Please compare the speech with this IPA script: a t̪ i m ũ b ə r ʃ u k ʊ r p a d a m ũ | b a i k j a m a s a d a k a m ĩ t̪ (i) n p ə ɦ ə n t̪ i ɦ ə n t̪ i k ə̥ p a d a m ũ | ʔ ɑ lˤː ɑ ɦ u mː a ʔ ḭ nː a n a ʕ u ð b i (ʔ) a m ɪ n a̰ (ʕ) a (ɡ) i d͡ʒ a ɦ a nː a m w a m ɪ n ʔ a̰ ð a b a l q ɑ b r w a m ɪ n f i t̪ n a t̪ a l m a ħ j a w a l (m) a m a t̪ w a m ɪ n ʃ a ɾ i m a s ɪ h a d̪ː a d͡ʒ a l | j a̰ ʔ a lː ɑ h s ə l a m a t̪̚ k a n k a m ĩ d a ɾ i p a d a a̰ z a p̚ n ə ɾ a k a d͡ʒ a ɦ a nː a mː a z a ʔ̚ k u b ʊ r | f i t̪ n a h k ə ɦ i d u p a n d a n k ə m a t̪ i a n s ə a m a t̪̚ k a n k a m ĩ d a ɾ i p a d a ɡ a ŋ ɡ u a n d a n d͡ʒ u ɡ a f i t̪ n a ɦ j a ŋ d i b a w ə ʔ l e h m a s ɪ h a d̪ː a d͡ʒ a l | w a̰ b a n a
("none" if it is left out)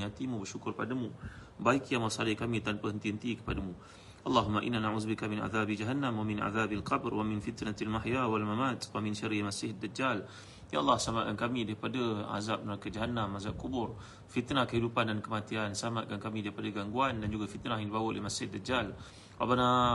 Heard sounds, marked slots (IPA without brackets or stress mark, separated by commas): a, k, ð, b, m